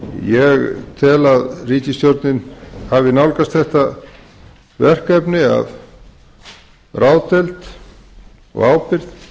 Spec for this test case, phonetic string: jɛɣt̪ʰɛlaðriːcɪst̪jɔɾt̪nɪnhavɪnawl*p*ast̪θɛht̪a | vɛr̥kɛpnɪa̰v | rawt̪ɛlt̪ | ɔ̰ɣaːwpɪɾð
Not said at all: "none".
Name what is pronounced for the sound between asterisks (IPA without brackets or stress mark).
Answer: k